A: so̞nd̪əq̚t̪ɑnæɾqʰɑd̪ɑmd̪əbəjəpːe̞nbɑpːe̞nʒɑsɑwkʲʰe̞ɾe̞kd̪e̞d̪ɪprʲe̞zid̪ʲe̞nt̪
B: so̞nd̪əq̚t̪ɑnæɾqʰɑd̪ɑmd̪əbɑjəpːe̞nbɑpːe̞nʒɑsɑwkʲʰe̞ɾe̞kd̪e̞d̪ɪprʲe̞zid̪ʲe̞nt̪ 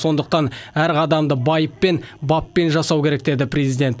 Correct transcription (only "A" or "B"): B